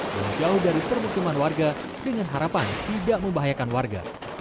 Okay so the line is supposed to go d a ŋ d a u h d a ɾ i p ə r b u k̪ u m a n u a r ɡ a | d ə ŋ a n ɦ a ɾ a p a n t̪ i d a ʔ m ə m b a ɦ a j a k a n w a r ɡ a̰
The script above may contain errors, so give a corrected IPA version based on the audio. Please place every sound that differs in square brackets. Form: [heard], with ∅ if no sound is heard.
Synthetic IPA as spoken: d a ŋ [d͡ʒ] a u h d a ɾ i p ə r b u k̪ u m a n [w] a r ɡ a | d ə ŋ a n ɦ a ɾ a p a n t̪ i d a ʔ m ə m b a ɦ a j a k a n w a r ɡ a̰